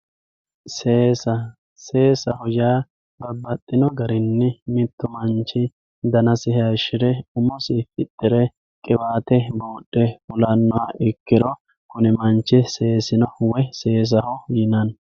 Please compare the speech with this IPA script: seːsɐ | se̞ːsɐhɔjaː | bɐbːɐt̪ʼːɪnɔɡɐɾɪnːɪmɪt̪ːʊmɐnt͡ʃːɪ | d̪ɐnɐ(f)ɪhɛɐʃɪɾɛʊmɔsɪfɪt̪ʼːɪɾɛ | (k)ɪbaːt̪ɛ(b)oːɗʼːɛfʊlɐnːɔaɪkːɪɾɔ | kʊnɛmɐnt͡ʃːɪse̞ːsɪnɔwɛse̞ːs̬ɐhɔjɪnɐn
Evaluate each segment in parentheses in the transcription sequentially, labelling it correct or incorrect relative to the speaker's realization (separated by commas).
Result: incorrect, incorrect, correct